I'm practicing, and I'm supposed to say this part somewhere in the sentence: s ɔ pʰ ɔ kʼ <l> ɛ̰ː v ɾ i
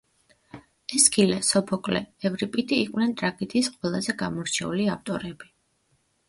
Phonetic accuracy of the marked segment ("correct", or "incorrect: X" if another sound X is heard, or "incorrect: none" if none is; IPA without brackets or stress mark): correct